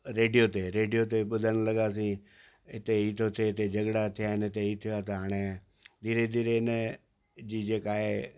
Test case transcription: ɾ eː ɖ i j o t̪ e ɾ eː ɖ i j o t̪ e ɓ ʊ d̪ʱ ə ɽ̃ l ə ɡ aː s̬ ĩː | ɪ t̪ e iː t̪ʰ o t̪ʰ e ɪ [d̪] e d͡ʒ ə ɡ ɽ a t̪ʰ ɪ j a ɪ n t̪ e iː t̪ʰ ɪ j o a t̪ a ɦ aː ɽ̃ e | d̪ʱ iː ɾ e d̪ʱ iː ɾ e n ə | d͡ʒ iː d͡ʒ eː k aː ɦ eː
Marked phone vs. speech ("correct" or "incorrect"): incorrect